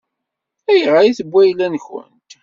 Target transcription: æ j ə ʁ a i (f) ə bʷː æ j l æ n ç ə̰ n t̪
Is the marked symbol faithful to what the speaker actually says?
no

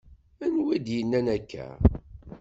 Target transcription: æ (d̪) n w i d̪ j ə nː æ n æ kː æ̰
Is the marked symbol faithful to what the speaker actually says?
no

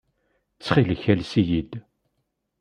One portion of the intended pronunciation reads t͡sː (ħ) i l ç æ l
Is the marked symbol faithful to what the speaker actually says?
no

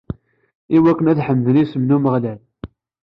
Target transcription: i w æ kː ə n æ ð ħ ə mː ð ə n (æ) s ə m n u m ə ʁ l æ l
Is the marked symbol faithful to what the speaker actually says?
no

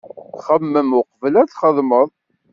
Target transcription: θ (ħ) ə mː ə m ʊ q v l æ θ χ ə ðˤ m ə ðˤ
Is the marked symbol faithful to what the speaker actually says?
no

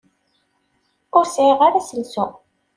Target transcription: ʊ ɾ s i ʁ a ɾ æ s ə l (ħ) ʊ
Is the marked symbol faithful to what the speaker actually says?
no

